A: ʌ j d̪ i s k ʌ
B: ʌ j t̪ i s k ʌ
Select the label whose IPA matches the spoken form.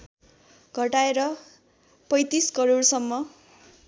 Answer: B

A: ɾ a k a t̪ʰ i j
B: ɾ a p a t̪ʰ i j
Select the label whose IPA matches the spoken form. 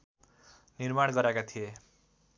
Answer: A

